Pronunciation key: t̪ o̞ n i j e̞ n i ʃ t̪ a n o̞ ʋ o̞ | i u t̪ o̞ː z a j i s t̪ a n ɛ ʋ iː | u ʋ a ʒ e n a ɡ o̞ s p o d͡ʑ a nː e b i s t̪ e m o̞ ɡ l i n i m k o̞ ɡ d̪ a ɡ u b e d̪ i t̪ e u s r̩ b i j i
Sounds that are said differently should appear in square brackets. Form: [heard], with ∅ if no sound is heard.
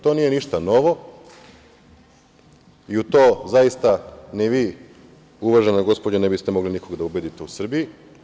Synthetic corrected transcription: t̪ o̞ n i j e̞ n i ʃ t̪ a n o̞ ʋ o̞ | i u t̪ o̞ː z a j i s t̪ a n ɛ ʋ iː | u ʋ a ʒ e n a ɡ o̞ s p o d͡ʑ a [n] e b i s t̪ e m o̞ ɡ l i n i [∅] k o̞ ɡ d̪ a [∅] u b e d̪ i t̪ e u s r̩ b i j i